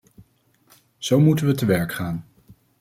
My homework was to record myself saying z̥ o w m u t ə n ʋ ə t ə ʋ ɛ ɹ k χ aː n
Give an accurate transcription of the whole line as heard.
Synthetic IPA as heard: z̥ o w m u t ə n ʋ ə t ə ʋ ɛ ɹ k χ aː n